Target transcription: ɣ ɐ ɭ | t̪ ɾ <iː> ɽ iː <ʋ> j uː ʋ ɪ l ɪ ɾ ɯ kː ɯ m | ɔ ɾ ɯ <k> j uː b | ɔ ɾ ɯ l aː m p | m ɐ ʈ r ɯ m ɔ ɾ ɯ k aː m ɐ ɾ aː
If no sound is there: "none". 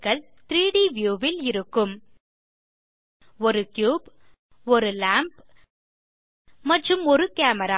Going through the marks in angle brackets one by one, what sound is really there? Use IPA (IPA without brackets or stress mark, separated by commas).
iː, ʋ, k